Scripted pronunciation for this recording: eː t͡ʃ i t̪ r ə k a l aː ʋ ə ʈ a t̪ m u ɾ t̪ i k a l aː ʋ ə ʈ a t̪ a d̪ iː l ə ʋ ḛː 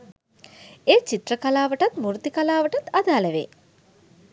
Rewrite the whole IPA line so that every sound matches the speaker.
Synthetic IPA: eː t͡ʃ i t̪ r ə k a l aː ʋ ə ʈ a t̪ m u ɾ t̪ i k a l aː ʋ ə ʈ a t̪ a d̪ aː l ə ʋ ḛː